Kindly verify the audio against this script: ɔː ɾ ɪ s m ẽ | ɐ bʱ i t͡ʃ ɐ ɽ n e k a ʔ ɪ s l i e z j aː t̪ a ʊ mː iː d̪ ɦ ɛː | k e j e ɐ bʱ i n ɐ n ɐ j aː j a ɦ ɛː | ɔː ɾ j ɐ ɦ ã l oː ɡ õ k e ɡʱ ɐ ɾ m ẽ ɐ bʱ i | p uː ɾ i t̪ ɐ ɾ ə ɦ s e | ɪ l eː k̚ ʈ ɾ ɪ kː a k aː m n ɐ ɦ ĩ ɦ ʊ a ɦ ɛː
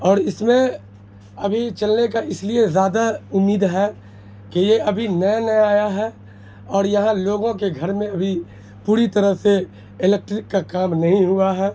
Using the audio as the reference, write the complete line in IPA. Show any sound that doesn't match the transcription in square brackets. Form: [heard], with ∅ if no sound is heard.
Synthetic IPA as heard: ɔː ɾ ɪ s m ẽ | ɐ bʱ i t͡ʃ ɐ [l] n e k a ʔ ɪ s l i e z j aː [d̪] a ʊ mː iː d̪ ɦ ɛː | k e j e ɐ bʱ i n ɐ n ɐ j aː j a ɦ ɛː | ɔː ɾ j ɐ ɦ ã l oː ɡ õ k e ɡʱ ɐ ɾ m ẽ ɐ bʱ i | p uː ɾ i t̪ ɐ ɾ ə ɦ s e | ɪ l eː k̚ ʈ ɾ ɪ kː a k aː m n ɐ ɦ ĩ ɦ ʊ a ɦ ɛː

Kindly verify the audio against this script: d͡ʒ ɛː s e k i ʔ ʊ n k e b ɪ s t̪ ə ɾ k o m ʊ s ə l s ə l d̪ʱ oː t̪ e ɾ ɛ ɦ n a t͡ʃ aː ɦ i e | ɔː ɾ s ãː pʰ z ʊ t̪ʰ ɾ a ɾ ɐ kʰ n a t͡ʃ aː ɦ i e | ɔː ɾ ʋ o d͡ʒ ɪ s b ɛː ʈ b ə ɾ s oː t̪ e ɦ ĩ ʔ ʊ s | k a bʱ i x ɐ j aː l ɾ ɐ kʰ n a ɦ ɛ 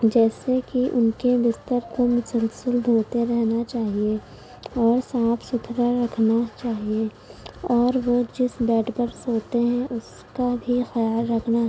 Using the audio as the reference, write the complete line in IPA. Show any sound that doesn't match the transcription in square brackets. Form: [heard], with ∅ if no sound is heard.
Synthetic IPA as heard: d͡ʒ ɛː s e k i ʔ ʊ n k e b ɪ s t̪ ə ɾ k o m ʊ s ə l s ə l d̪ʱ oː t̪ e ɾ ɛ ɦ n a t͡ʃ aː ɦ i e | ɔː ɾ s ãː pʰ [s] ʊ t̪ʰ ɾ a ɾ ɐ kʰ n a t͡ʃ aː ɦ i e | ɔː ɾ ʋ o d͡ʒ ɪ s b ɛː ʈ b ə ɾ s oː t̪ e ɦ [ɛ̃] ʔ ʊ s | k a bʱ i x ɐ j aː l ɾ ɐ kʰ n a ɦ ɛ

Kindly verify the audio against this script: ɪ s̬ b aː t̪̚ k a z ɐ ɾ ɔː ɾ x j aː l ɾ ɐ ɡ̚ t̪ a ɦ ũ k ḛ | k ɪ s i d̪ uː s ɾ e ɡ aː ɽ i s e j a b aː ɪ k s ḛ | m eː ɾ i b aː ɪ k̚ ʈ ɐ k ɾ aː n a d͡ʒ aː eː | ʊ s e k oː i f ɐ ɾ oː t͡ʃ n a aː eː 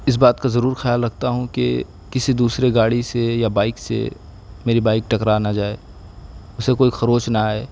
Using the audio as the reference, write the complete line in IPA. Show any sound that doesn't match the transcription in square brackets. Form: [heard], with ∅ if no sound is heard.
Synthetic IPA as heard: ɪ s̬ b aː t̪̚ k a z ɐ ɾ [uː] ɾ x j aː l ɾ ɐ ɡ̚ t̪ a ɦ ũ k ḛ | k ɪ s i d̪ uː s ɾ e ɡ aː ɽ i s e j a b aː ɪ k s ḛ | m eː ɾ i b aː ɪ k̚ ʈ ɐ k ɾ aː n a d͡ʒ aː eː | ʊ s e k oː i [x] ɐ ɾ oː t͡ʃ n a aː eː

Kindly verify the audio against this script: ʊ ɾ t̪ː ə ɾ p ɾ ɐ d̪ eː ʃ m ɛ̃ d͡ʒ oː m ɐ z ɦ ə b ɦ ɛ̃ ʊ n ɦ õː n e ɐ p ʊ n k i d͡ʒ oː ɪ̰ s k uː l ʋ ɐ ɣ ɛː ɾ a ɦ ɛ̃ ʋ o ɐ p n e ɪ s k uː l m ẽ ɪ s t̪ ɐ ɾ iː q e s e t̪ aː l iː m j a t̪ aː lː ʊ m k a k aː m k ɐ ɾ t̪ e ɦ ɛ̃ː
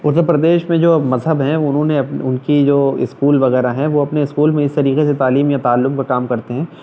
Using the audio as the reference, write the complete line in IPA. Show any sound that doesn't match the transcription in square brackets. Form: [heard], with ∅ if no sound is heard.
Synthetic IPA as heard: ʊ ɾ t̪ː ə ɾ p ɾ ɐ d̪ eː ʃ m [ẽ] d͡ʒ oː m ɐ z ɦ ə b ɦ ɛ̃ ʊ n ɦ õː n e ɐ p ʊ n k i d͡ʒ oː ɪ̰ s k uː l ʋ ɐ ɣ ɛː ɾ a ɦ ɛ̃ ʋ o ɐ p n e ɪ s k uː l m ẽ ɪ s t̪ ɐ ɾ iː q e s e t̪ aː l iː m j a t̪ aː lː ʊ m k a k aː m k ɐ ɾ t̪ e ɦ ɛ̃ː

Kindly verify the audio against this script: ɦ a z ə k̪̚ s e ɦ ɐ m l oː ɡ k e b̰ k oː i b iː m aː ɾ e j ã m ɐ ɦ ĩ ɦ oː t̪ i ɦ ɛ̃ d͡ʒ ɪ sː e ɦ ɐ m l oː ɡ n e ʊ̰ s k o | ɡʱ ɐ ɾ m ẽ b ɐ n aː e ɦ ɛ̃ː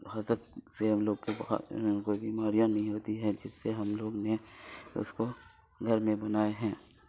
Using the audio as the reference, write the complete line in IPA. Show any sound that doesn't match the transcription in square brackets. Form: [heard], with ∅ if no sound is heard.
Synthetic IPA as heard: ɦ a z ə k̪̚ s e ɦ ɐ m l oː ɡ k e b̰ k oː i b iː m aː ɾ [i] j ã [n] ɐ ɦ ĩ ɦ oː t̪ i ɦ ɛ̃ d͡ʒ ɪ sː e ɦ ɐ m l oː ɡ n e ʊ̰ s k o | ɡʱ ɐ ɾ m ẽ b ɐ n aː e ɦ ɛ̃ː

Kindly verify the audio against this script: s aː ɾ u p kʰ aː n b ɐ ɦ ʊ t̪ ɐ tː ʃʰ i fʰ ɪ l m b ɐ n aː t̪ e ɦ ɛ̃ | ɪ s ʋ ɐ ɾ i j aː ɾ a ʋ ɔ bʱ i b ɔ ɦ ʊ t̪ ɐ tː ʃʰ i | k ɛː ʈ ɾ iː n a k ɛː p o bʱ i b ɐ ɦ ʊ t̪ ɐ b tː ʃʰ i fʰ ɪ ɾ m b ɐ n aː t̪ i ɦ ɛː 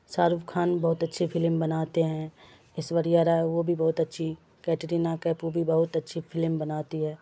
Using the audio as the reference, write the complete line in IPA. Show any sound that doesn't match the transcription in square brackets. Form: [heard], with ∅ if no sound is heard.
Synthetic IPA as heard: s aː ɾ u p kʰ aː n b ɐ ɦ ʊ t̪ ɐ tː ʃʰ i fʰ ɪ l m b ɐ n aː t̪ e ɦ ɛ̃ | ɪ s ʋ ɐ ɾ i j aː ɾ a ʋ [o] bʱ i b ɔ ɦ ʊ t̪ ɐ tː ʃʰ i | k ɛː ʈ ɾ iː n a k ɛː p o bʱ i b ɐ ɦ ʊ t̪ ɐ [∅] tː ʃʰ i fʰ ɪ [l] m b ɐ n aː t̪ i ɦ ɛː

